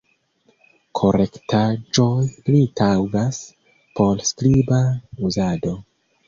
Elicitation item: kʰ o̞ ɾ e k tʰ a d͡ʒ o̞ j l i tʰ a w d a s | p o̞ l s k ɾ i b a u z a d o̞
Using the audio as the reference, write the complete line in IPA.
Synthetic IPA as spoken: kʰ o̞ ɾ e k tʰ a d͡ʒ o̞ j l i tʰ a w ɡ a s | p o̞ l s k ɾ i b a u z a d o̞